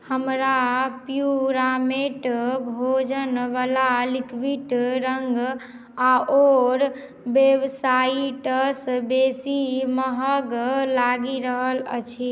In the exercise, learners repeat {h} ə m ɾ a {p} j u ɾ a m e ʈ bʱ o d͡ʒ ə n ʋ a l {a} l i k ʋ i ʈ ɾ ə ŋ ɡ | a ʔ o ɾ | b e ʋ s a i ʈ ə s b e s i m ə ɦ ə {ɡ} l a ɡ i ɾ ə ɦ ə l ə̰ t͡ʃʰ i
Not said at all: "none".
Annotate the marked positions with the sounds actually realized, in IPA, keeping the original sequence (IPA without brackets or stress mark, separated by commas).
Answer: h, p, a, ɡ